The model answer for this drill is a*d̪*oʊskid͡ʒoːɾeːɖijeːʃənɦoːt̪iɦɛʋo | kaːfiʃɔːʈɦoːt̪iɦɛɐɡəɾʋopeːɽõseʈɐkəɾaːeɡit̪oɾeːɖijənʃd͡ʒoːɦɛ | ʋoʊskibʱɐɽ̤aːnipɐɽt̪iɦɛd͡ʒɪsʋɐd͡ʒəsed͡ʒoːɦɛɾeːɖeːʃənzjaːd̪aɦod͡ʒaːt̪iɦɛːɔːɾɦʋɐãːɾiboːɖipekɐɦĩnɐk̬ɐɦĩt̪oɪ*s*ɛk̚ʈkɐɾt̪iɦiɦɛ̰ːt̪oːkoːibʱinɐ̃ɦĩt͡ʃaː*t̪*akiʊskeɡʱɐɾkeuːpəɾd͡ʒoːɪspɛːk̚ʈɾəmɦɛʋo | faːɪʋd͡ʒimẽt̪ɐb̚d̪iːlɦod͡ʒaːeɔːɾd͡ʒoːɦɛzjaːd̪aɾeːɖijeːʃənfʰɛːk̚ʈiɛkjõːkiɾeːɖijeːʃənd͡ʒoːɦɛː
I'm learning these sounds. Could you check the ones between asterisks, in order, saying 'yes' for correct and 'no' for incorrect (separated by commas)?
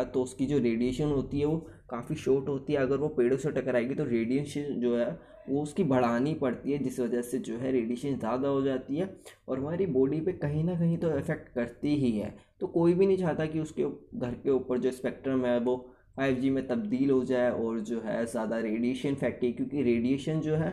no, no, yes